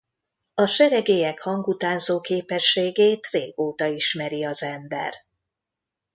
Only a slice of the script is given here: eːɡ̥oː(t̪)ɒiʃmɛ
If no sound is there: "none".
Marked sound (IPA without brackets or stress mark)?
t̪